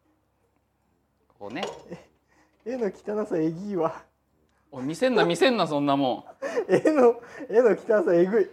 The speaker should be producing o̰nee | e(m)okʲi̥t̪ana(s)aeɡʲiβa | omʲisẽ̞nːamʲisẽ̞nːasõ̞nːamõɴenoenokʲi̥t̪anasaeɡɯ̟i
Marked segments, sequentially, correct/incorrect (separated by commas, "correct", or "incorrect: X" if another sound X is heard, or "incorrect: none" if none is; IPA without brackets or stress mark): incorrect: n, correct